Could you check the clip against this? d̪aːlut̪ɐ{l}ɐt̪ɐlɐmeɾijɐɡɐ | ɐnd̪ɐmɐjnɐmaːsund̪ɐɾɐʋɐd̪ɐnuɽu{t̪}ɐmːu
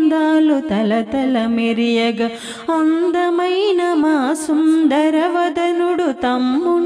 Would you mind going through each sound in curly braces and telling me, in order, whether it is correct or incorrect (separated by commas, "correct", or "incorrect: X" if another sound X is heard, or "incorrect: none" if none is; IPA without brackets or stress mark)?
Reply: correct, correct